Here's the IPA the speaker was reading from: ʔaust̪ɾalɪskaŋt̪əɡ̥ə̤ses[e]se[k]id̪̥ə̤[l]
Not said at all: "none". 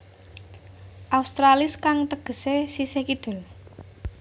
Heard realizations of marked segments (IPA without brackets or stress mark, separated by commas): i, k, l